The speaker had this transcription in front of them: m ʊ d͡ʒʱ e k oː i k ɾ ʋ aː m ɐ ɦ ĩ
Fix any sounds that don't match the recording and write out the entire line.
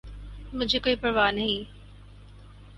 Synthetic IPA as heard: m ʊ d͡ʒʱ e k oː i p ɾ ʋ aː n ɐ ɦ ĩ